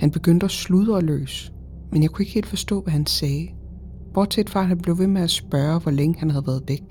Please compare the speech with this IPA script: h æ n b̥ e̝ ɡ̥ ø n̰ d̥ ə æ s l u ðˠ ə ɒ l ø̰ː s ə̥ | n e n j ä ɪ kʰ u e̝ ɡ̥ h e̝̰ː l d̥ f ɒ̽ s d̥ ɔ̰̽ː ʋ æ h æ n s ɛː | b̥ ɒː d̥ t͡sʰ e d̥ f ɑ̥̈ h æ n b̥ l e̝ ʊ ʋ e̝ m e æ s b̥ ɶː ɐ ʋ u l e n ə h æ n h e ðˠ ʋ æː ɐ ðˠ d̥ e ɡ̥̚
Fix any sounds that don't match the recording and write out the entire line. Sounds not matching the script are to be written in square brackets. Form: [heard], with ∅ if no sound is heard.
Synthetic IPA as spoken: h æ n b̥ e̝ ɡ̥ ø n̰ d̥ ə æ s l u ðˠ ə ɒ l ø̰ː s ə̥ | [m] e n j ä ɪ kʰ u e̝ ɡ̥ h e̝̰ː l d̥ f ɒ̽ s d̥ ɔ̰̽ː ʋ æ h æ n s ɛː | b̥ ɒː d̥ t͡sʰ e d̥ f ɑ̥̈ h æ n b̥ l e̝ ʊ ʋ e̝ m e æ s b̥ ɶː ɐ ʋ [ɒ] l e [ŋ] ə h æ n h [æ] ðˠ ʋ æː ɐ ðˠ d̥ e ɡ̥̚